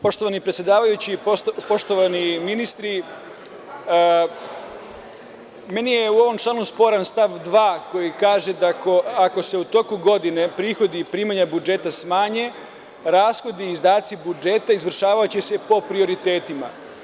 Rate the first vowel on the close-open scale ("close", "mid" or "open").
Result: mid